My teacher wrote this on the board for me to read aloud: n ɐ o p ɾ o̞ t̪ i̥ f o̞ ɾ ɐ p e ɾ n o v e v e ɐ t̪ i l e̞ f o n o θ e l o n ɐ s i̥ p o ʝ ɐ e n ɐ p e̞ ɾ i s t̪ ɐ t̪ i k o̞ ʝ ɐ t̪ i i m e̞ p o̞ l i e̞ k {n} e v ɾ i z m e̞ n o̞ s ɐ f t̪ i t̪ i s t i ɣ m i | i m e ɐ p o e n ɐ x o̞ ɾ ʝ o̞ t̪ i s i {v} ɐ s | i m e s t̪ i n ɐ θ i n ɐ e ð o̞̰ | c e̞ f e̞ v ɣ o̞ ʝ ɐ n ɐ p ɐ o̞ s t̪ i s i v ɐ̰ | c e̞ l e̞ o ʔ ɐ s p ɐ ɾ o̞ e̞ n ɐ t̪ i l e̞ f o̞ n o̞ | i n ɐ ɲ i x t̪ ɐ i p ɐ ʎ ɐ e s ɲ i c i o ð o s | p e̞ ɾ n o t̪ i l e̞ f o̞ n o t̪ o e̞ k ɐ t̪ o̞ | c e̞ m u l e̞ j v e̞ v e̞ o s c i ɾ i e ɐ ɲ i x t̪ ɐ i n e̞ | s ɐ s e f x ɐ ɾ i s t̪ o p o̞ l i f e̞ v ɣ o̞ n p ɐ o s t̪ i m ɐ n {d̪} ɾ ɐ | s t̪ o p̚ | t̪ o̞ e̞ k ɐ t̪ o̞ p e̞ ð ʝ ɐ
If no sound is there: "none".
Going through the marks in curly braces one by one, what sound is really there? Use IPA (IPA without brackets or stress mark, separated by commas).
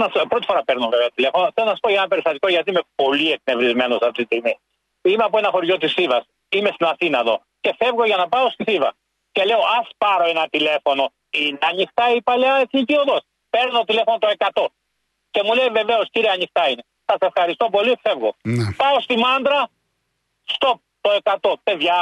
n, v, d̪